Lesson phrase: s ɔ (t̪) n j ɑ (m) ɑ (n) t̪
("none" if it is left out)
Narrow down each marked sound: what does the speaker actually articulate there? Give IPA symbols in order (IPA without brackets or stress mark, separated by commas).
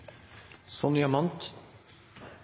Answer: none, m, n